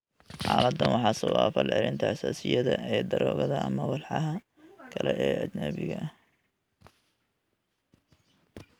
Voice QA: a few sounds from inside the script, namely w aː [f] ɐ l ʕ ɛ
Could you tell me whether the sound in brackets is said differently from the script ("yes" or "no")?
no